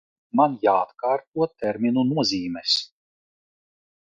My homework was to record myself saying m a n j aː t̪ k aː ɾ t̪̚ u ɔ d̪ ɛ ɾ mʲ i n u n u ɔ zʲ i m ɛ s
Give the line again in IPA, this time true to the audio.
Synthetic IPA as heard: m a n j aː t̪ k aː ɾ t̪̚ u ɔ t̪ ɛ ɾ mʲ i n u n u ɔ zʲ iː m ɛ s